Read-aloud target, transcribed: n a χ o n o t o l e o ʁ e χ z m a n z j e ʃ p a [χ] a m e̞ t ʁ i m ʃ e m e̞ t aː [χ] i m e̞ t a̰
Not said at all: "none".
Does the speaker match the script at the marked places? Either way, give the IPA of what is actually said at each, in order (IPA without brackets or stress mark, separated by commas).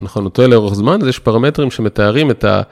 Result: ʁ, ʁ